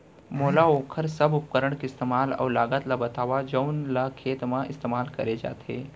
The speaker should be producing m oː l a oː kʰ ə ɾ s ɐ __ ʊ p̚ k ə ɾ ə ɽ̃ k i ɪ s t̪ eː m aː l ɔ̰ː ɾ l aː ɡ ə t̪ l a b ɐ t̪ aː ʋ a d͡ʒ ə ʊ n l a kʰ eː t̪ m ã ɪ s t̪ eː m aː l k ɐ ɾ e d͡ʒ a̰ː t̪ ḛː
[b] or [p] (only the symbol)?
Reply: b